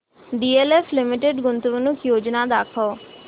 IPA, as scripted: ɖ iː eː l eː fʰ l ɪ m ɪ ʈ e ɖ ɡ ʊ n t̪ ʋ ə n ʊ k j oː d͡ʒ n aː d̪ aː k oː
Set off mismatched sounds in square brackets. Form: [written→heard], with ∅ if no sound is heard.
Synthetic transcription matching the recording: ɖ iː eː l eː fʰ l ɪ m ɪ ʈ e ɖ ɡ ʊ n t̪ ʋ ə n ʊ k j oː d͡ʒ n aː d̪ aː [k→kʰ] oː

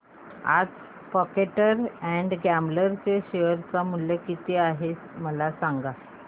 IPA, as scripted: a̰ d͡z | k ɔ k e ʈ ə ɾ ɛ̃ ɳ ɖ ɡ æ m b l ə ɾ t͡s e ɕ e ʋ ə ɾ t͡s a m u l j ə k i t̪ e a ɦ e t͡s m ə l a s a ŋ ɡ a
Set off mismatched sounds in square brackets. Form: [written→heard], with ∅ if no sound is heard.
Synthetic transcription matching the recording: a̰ d͡z | [k→p] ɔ k e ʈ ə ɾ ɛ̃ ɳ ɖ ɡ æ m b l ə ɾ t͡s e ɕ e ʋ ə ɾ t͡s a m u l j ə k i t̪ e a ɦ e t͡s m ə l a s a ŋ ɡ a

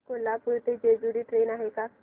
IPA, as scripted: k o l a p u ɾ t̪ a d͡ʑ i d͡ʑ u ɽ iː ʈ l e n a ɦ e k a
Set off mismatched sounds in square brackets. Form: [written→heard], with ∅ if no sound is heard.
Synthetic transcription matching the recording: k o l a p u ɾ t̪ [a→e] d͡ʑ [i→e] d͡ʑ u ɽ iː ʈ [l→ɾ] e n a ɦ e k a

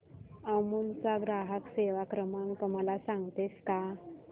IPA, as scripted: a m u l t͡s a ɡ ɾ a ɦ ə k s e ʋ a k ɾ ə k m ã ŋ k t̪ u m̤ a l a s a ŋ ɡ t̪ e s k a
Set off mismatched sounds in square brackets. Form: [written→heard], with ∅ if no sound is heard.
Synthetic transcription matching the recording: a m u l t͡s a ɡ ɾ a ɦ ə k s e ʋ a k ɾ ə [k→∅] m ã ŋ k t̪ u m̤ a l a s a ŋ ɡ t̪ e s k a

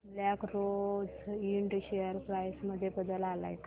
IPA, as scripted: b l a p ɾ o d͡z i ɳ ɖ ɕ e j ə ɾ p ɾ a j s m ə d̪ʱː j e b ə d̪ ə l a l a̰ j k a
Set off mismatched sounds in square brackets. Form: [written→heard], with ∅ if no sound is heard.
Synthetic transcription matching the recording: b l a [p→k] ɾ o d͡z i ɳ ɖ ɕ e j ə ɾ p ɾ a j s m ə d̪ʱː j e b ə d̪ ə l a l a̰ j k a

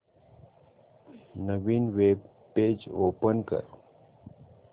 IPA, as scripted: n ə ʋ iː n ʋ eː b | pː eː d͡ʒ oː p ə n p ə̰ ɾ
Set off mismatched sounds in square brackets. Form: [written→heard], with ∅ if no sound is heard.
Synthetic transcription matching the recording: n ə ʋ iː n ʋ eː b | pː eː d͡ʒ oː p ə n [p→k] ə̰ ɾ

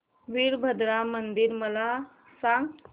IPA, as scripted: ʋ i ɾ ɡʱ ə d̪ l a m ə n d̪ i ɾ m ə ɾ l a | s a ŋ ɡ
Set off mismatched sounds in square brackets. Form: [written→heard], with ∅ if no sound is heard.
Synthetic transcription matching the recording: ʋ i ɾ [ɡʱ→bʱ] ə d̪ [l→ɾ] a m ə n d̪ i ɾ m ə [ɾ→∅] l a | s a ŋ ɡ

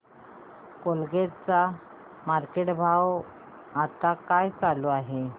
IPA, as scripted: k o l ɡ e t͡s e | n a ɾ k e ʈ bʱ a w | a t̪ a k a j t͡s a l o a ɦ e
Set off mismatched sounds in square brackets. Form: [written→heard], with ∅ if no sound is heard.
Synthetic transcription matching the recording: k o l ɡ e t͡s [e→a] | [n→m] a ɾ k e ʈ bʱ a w | a t̪ a k a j t͡s a l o a ɦ e

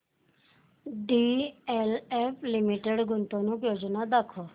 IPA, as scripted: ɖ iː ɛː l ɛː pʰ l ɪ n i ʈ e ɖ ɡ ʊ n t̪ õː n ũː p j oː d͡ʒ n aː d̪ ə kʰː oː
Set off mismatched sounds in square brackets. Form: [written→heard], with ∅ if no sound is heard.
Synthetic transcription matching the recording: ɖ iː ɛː l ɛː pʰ l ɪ [n→m] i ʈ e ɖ ɡ ʊ n t̪ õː n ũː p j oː d͡ʒ n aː d̪ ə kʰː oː

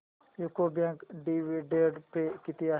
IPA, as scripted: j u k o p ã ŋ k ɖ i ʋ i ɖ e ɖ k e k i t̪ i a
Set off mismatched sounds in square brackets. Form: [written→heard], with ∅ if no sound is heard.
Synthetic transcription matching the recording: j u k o [p→b] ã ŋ k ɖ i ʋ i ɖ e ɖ [k→p] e k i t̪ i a

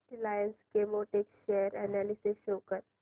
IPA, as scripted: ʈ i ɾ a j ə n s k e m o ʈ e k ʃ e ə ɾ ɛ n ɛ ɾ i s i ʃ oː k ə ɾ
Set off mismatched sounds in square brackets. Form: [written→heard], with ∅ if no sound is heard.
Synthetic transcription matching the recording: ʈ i [ɾ→l] a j ə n s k e m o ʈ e k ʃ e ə ɾ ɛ n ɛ [ɾ→l] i s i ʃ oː k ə ɾ

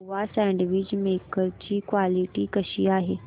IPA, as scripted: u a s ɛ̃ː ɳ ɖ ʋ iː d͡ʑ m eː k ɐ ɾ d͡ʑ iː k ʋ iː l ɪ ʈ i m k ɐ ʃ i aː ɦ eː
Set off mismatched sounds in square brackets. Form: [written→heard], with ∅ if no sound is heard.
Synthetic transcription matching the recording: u a s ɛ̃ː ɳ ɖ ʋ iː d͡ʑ m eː k [ɐ→ə] ɾ d͡ʑ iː k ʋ [iː→aː] l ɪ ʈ i [m→∅] k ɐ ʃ i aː ɦ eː

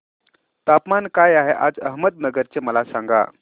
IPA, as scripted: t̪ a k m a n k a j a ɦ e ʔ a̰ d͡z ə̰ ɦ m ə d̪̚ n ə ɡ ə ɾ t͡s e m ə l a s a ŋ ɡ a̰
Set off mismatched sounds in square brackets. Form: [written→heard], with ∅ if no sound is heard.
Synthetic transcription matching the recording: t̪ a [k→p] m a n k a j a ɦ e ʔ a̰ d͡z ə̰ ɦ m ə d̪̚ n ə ɡ ə ɾ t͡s e m ə l a s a ŋ ɡ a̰

